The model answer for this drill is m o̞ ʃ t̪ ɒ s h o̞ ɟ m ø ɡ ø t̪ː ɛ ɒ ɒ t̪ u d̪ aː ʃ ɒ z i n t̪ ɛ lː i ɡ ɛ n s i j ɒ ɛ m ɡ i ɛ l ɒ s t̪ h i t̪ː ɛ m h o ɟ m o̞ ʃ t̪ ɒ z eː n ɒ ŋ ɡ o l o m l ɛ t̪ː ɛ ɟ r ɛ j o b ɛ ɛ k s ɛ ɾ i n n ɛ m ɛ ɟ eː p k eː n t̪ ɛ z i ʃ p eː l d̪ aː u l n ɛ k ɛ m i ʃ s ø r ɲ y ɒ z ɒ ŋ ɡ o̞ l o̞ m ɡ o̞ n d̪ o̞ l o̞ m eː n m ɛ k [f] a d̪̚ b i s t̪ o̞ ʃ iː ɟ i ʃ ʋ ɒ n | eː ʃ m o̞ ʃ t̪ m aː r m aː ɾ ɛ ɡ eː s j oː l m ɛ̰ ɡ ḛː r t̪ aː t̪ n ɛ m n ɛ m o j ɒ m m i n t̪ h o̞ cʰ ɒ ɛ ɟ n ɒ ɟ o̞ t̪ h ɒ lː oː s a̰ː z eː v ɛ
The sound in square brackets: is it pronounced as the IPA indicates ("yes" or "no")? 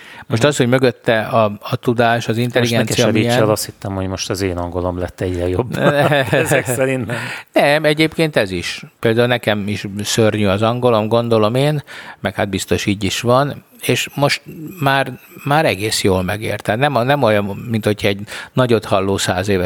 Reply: no